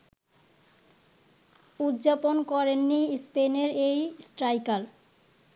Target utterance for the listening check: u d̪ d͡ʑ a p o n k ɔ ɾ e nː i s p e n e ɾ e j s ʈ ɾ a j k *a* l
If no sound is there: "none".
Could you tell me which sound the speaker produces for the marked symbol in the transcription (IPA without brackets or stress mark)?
a